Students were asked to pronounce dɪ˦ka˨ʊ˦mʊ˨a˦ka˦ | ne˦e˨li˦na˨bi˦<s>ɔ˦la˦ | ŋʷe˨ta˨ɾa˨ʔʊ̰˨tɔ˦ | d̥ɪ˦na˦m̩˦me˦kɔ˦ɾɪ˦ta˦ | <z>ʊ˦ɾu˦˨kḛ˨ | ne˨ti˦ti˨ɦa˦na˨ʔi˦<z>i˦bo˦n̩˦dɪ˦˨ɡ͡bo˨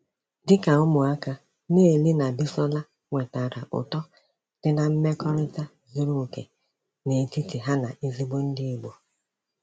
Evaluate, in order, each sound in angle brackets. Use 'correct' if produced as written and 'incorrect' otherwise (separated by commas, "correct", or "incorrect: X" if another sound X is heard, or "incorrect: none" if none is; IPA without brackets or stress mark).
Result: correct, correct, correct